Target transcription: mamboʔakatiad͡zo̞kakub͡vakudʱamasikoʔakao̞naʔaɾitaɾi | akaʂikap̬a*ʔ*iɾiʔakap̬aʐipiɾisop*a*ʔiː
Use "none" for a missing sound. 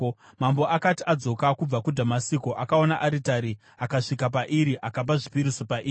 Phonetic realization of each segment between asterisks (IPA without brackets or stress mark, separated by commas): ʔ, a